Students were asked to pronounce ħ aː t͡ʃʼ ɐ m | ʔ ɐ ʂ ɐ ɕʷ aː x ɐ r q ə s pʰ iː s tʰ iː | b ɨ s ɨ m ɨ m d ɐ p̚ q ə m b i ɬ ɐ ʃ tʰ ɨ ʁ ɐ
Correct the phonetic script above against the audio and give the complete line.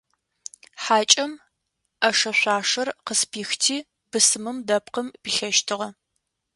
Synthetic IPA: ħ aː t͡ʃʼ ɐ m | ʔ ɐ ʂ ɐ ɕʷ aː ʂ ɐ r q ə s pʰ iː x tʰ iː | b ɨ s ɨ m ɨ m d ɐ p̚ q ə m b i ɬ ɐ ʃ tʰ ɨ ʁ ɐ